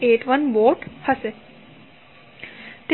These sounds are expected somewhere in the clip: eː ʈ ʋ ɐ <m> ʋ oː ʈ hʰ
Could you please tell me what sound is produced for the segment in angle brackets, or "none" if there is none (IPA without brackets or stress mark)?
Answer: n